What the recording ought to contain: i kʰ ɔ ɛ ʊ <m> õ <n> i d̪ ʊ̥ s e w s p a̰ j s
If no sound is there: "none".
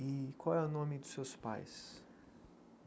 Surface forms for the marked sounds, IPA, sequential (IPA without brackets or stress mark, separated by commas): n, m